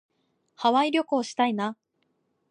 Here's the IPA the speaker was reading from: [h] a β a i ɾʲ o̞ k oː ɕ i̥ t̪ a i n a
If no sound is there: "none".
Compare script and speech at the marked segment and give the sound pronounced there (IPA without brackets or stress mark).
h